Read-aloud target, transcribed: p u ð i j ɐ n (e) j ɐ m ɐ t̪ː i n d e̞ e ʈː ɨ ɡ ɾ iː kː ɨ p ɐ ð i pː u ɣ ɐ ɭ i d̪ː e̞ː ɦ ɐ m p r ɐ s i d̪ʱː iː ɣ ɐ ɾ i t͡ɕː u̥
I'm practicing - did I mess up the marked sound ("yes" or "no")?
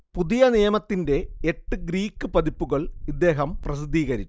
yes